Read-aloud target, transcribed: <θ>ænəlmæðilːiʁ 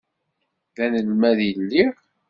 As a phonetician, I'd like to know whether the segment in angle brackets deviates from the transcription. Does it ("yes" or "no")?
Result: yes